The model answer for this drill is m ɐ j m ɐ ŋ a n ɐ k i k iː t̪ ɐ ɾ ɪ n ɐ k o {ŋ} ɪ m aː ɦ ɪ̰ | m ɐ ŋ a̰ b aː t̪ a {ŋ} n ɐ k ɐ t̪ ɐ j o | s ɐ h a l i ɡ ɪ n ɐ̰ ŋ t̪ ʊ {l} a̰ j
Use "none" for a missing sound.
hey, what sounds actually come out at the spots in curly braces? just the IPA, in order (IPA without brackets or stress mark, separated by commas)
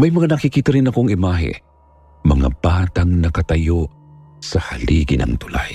ŋ, ŋ, l